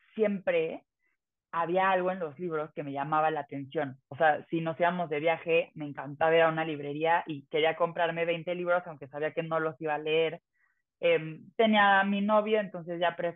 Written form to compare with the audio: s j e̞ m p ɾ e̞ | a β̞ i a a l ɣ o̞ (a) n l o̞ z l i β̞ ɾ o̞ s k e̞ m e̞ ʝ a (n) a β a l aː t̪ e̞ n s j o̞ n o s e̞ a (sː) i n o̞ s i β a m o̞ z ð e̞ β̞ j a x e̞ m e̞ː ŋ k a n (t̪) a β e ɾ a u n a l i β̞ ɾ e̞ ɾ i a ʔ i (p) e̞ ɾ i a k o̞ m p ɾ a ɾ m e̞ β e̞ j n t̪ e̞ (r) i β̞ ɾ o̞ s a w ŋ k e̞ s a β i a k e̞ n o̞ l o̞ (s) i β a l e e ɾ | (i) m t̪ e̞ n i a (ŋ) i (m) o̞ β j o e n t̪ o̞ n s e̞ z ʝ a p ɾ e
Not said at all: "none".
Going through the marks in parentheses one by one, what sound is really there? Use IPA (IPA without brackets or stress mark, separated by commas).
e, m, s, t̪, k, l, s, e, m, n